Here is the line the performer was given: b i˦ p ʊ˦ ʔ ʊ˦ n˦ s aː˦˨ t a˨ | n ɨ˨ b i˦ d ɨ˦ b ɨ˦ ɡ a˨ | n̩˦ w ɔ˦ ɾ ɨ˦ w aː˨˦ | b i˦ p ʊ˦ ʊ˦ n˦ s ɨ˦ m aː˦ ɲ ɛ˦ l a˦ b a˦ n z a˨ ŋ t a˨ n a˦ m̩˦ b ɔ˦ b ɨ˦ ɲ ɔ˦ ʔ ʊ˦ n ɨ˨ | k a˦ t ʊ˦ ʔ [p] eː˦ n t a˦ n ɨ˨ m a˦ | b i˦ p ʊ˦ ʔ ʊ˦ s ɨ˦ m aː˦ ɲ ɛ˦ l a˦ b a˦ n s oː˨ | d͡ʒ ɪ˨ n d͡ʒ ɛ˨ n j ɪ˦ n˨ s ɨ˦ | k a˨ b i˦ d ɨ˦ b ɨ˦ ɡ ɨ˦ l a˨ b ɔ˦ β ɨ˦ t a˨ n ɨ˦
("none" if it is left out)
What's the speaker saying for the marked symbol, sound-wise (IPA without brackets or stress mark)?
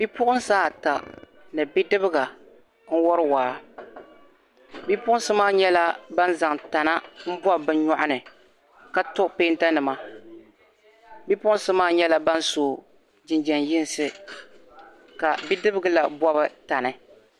p